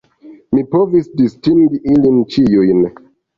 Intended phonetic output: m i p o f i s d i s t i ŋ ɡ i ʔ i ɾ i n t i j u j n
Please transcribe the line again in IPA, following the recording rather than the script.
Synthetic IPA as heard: m i p o v i s d i s t i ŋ ɡ i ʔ i l i n t͡ʃ i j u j n